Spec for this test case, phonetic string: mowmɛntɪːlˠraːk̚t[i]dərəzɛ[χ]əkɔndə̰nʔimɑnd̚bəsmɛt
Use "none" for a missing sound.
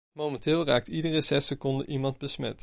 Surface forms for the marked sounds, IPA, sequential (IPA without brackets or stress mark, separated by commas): i, s